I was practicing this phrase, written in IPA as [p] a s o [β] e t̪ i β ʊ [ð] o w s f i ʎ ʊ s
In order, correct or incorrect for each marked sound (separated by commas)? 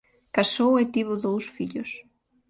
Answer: incorrect, incorrect, correct